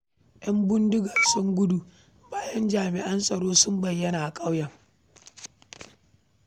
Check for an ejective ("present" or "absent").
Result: present